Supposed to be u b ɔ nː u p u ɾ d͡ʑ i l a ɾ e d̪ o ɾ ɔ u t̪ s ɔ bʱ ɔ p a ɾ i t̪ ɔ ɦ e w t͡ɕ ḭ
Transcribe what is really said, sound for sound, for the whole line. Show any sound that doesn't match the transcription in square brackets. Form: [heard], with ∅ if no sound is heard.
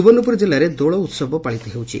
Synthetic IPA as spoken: u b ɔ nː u p u ɾ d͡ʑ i l a ɾ e d̪ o [ɭ] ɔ u t̪ s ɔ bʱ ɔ p a [ɭ] i t̪ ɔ ɦ e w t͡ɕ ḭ